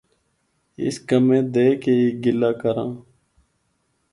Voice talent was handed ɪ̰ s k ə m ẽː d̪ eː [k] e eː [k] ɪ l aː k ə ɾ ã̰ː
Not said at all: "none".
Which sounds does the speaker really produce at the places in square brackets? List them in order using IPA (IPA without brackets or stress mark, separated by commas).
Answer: k, ɡ